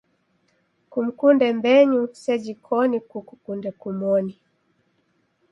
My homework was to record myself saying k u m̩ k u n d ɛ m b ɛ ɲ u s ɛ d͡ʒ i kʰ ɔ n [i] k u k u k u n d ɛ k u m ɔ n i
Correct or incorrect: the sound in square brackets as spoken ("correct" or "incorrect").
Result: correct